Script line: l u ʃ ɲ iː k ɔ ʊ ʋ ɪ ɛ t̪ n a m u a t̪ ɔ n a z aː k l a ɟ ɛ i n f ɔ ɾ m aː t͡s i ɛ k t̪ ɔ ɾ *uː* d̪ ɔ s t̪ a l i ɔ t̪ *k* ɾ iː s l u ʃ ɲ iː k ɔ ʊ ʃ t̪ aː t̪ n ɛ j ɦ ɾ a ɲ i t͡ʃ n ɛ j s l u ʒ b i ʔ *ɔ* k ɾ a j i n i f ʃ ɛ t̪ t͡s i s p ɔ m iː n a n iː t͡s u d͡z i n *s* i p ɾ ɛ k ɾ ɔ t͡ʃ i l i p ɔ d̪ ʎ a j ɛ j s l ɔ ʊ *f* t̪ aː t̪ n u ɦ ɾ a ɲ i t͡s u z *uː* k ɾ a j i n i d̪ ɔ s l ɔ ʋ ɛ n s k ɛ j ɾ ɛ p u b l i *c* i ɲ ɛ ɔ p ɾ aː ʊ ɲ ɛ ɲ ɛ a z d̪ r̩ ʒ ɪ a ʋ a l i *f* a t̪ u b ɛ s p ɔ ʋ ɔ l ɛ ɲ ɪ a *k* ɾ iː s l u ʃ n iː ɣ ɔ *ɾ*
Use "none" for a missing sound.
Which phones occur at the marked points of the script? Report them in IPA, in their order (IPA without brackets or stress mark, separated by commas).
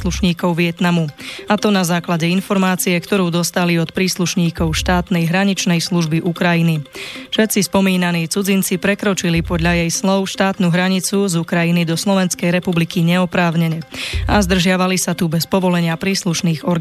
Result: uː, p, u, t͡s, ʃ, u, k, s, p, ɾ